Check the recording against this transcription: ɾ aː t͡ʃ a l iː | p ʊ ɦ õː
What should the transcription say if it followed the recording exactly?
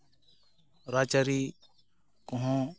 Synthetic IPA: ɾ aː t͡ʃ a ɾ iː | k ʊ ɦ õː